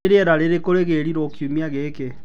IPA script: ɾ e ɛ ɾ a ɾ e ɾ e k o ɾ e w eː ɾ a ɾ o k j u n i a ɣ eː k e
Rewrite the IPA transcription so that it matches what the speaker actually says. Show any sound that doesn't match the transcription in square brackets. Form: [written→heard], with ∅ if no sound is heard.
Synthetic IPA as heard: ɾ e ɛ ɾ a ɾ e ɾ e k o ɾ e [w→ɣ] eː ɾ [a→i] ɾ o k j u [n→m] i a ɣ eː k e